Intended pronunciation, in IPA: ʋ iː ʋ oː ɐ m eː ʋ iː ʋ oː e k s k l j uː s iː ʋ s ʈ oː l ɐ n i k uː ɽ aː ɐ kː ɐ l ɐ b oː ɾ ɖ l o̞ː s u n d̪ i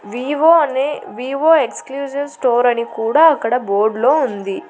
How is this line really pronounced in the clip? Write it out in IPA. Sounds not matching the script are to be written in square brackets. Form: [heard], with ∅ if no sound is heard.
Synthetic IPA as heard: ʋ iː ʋ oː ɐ [n] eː ʋ iː ʋ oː e k s k l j uː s [i] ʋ s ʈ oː [ɾ] ɐ n i k uː ɽ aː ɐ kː ɐ [ɽ] ɐ b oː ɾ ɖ l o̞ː [∅] u n d̪ i